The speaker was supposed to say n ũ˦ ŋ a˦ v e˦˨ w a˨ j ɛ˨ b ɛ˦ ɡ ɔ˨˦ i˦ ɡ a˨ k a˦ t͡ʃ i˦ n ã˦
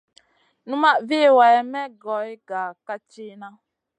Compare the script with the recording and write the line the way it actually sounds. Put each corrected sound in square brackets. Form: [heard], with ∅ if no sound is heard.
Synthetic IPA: n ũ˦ [m] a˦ v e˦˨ w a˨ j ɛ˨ [m] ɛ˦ ɡ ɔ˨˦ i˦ ɡ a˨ k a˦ t͡ʃ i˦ n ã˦